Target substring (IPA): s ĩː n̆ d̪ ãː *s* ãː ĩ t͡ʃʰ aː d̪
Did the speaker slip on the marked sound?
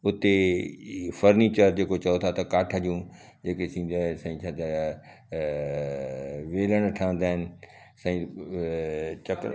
no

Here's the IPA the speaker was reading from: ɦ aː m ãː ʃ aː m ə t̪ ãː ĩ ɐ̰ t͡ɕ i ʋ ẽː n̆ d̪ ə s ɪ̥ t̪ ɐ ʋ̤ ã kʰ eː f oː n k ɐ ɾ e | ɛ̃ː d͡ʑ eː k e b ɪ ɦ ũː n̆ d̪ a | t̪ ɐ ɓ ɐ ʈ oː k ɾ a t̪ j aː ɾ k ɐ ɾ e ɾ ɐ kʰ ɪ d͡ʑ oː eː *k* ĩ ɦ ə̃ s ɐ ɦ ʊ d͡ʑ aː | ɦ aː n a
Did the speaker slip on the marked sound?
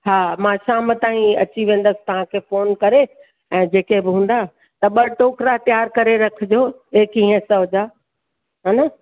no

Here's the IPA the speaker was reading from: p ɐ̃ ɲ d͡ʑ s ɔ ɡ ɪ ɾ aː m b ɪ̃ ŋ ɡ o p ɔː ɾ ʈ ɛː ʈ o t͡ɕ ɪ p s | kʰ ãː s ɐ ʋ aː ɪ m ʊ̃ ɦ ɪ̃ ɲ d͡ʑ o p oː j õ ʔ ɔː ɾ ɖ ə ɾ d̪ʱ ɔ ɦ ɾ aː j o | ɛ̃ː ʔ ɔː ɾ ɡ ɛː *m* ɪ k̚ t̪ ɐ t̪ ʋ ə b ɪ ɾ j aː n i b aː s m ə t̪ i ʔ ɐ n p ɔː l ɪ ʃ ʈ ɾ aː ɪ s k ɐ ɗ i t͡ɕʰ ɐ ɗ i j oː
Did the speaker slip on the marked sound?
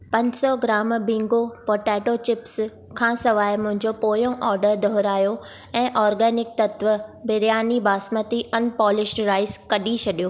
yes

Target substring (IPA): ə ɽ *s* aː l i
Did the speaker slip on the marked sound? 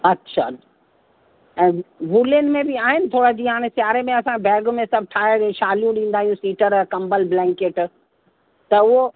yes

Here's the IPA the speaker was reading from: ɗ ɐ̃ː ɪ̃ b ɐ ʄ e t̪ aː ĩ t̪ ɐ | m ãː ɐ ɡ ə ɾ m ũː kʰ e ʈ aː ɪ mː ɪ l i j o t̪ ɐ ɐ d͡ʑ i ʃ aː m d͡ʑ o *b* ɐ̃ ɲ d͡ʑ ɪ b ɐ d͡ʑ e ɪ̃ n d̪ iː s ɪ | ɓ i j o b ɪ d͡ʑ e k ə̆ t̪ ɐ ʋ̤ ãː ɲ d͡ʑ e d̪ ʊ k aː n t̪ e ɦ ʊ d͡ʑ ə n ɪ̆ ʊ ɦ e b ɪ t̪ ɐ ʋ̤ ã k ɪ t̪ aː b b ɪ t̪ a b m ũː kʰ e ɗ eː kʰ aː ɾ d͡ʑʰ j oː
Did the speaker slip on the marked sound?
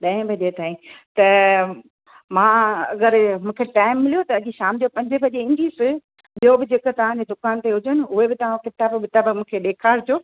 yes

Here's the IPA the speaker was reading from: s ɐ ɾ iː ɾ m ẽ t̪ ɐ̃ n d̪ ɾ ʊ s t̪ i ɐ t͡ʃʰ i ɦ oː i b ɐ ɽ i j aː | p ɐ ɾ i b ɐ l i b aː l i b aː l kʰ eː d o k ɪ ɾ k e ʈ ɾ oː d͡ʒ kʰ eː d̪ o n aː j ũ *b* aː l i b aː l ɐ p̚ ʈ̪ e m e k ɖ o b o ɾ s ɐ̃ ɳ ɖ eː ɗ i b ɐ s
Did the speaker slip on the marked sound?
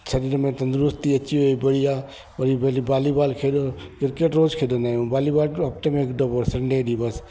no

